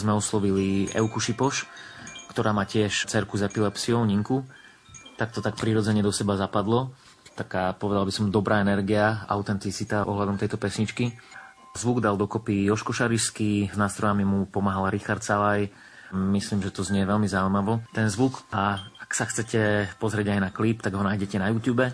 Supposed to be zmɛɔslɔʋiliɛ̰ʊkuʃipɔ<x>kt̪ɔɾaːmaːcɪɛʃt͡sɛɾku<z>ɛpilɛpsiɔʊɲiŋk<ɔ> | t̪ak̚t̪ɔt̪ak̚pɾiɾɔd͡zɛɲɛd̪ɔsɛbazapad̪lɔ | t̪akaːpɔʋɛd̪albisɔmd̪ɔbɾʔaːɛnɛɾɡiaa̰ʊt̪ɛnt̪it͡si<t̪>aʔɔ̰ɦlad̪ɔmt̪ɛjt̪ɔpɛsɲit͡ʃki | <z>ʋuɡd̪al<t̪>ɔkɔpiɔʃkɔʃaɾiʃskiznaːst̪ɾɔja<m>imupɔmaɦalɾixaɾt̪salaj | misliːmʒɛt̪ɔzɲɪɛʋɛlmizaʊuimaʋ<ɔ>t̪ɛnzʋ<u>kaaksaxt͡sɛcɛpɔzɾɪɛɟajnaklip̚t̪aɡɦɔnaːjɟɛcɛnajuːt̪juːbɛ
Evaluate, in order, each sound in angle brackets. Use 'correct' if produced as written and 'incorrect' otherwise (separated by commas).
incorrect, correct, incorrect, correct, correct, incorrect, correct, correct, correct